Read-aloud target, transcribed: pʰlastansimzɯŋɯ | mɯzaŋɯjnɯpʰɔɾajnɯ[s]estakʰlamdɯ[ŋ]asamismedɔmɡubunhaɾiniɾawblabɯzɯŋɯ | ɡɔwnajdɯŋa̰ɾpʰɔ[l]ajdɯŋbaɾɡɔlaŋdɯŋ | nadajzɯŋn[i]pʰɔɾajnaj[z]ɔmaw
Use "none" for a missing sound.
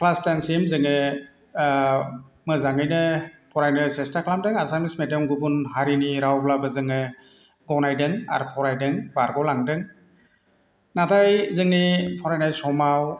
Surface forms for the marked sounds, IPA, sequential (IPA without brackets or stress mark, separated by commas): s, ŋ, ɾ, i, s